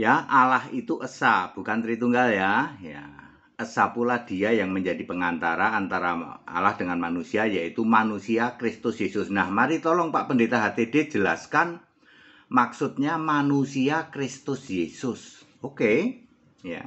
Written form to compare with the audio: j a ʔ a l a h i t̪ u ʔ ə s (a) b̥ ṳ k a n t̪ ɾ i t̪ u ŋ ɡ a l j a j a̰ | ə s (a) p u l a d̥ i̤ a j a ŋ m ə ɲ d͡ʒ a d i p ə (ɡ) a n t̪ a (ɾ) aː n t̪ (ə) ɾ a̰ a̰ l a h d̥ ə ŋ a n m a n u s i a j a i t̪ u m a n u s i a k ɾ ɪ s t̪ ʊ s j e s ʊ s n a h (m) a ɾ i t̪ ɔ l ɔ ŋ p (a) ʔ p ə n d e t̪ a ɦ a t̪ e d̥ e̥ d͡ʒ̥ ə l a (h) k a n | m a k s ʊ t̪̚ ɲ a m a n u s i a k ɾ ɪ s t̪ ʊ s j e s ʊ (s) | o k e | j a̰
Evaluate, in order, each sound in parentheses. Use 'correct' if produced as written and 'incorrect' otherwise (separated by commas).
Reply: correct, correct, incorrect, correct, incorrect, correct, correct, incorrect, correct